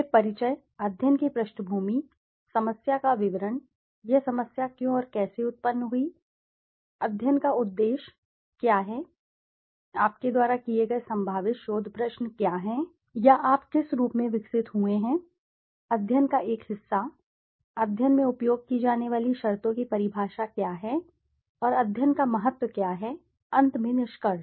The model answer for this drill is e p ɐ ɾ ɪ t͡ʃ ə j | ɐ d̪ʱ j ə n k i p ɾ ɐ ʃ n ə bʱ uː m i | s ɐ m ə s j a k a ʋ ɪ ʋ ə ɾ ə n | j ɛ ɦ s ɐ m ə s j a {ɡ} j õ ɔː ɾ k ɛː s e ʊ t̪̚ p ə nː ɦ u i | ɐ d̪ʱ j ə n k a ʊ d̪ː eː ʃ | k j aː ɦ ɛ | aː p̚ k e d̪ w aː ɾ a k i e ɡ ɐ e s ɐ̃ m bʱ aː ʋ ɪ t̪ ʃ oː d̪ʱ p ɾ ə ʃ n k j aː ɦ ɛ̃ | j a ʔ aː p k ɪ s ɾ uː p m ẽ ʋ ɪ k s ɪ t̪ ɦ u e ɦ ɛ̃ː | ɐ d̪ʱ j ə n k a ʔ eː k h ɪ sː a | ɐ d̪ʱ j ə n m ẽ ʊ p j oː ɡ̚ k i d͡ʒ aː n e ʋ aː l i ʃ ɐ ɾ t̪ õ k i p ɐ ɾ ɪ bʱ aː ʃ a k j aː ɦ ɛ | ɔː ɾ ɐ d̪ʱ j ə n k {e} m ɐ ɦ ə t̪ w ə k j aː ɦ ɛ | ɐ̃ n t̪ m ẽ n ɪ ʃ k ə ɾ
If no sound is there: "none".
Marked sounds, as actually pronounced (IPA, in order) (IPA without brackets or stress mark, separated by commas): k, a